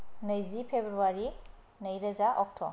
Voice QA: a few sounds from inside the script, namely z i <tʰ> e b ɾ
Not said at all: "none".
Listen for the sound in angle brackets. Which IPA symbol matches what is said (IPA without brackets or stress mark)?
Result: pʰ